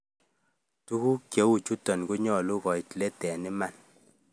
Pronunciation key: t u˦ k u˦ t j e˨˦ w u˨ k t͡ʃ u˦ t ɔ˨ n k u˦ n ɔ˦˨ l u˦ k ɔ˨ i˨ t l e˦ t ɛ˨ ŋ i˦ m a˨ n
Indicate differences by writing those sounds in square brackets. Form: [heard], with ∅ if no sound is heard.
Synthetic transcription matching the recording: t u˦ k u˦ [k] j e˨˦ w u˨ [∅] t͡ʃ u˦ t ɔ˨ n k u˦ [ɲ] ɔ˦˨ l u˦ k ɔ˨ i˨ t l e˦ t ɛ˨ [n] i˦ m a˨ n

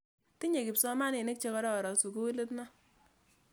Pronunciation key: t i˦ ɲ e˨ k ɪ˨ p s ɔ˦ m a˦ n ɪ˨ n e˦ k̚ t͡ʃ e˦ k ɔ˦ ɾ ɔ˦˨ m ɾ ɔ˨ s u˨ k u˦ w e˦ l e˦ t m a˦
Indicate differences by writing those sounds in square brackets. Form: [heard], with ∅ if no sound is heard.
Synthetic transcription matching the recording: t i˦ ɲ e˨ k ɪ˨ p s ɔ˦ m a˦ n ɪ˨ n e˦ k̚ t͡ʃ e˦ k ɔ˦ ɾ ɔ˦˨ [∅] ɾ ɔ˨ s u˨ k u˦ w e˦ l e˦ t [n] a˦

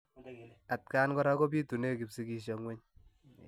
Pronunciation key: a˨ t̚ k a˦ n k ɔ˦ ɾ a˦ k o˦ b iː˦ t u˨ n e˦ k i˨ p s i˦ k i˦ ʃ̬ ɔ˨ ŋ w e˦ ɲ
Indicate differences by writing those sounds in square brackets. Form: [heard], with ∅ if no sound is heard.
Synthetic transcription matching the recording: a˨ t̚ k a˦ n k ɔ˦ ɾ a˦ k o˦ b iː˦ t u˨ n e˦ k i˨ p s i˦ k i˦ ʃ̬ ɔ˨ ŋ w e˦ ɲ

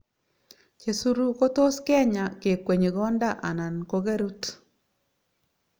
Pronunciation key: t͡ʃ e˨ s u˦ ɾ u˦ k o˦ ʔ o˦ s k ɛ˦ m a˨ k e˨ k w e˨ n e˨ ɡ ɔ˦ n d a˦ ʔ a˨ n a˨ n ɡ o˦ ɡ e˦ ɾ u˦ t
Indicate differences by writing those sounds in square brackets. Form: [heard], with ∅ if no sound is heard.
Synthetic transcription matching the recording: t͡ʃ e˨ s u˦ ɾ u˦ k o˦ [t] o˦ s k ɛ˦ [ɲ] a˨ k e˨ k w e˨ [ɲ] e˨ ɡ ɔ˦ n d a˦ ʔ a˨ n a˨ n [k] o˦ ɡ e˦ ɾ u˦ t

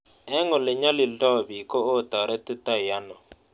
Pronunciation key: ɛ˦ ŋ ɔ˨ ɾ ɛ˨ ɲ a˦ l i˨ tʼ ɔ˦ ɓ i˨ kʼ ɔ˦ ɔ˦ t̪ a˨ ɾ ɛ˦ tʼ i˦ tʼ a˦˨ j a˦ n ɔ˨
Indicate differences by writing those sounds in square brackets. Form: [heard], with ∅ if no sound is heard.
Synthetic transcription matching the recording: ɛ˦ ŋ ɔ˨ [l] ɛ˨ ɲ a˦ l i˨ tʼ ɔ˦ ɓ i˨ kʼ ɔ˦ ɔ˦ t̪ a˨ ɾ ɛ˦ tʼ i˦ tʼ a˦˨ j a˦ n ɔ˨

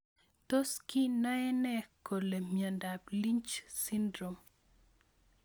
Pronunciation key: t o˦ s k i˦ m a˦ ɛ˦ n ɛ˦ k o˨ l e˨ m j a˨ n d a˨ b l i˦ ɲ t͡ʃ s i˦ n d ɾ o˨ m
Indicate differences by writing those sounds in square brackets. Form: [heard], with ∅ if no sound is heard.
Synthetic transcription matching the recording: t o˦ s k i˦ [n] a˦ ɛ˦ n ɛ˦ k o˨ l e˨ m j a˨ n d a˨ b l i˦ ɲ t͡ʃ s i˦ n d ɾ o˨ m

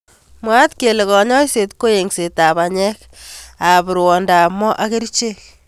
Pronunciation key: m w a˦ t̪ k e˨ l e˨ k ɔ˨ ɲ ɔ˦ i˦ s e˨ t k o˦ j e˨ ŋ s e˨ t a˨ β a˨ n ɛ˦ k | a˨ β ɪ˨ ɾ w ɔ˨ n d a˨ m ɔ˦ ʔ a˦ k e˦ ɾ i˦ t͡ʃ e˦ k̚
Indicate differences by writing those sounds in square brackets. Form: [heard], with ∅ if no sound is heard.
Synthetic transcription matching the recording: m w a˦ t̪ k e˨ l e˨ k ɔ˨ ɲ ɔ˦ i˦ s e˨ t k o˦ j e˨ ŋ s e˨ t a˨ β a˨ [ɲ] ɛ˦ k | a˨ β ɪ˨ ɾ w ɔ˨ n d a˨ m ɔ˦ ʔ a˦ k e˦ ɾ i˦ t͡ʃ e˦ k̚

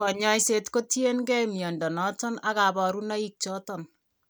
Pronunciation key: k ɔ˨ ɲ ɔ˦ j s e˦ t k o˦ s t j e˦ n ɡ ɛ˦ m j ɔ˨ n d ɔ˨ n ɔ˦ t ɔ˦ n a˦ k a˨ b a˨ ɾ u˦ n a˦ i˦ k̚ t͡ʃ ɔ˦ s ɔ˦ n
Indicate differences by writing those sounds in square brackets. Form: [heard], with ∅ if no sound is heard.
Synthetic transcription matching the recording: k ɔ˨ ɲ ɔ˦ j s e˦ t k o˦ [∅] t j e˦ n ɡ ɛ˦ m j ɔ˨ n d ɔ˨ n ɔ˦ t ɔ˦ n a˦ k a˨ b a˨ ɾ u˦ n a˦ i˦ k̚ t͡ʃ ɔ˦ [t] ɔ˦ n

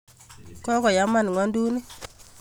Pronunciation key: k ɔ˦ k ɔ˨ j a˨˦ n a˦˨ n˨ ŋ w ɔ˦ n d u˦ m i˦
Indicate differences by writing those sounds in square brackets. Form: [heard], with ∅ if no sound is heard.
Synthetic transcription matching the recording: k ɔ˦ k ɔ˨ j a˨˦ [m] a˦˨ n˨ ŋ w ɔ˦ n d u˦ [n] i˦

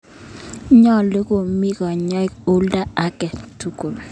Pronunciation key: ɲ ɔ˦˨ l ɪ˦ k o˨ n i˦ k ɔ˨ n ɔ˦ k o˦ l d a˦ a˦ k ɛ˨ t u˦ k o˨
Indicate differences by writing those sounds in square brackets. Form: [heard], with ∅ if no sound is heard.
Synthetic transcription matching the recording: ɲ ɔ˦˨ l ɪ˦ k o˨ [m] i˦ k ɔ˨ [ɲ] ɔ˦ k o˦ l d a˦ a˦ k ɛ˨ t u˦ k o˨

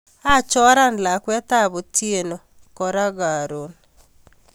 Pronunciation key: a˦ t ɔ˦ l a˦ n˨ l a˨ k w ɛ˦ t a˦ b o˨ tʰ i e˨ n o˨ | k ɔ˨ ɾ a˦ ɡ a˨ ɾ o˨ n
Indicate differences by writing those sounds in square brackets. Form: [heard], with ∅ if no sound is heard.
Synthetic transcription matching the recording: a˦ [t͡ʃ] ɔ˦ [ɾ] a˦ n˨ l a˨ k w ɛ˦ t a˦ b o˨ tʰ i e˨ n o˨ | k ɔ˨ ɾ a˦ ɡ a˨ ɾ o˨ n

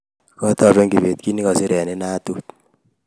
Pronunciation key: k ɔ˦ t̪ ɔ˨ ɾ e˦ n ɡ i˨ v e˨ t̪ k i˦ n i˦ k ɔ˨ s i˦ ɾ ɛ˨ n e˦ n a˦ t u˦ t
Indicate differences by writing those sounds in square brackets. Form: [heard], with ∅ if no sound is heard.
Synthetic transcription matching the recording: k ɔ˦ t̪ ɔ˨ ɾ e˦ [ŋ] ɡ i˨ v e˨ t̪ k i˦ n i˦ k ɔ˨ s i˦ ɾ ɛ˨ n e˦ n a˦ t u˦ t

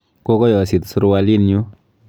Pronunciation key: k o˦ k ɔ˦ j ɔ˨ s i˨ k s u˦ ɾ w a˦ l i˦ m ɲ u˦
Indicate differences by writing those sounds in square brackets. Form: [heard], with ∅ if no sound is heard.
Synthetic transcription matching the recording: k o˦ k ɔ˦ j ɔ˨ s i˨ [t] s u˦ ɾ w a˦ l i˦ [n] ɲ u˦

